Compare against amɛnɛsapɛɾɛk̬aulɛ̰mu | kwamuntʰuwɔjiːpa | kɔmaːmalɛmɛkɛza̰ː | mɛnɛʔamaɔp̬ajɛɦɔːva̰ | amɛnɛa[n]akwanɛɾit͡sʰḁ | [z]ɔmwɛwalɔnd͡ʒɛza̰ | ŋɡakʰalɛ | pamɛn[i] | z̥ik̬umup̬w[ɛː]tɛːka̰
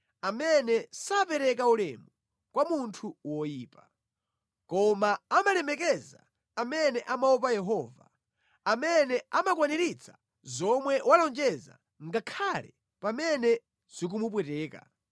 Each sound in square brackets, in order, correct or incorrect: incorrect: m, correct, incorrect: ɛ, incorrect: ɛ

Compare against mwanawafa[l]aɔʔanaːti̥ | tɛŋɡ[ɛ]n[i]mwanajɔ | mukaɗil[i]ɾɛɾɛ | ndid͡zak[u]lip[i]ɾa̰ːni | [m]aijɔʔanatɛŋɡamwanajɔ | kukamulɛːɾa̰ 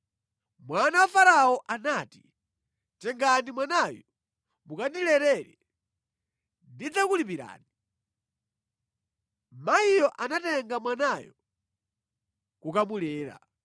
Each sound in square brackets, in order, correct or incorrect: incorrect: ɾ, incorrect: a, correct, incorrect: ɛ, correct, correct, correct

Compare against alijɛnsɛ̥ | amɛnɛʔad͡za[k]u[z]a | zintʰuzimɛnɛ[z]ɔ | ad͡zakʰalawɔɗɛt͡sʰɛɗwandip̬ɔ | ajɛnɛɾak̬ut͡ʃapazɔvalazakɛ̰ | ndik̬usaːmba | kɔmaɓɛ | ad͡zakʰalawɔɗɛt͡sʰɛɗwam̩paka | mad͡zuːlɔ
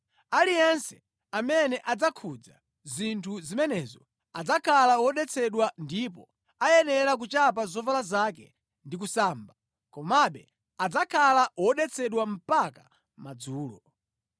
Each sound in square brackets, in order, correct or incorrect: incorrect: kʰ, incorrect: d͡z, correct

